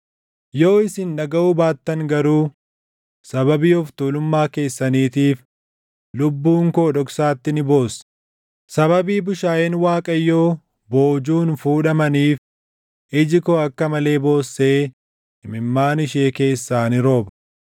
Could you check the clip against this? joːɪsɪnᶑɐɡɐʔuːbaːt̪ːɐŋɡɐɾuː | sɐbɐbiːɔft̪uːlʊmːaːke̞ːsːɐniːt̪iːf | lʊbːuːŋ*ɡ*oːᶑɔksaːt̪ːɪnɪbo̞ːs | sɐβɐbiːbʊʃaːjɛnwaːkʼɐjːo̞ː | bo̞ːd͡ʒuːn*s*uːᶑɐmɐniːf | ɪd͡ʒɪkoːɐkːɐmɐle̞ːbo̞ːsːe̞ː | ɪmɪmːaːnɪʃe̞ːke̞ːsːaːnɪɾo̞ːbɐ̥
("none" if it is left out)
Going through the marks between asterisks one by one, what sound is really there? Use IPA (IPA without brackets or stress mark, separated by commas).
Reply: k, f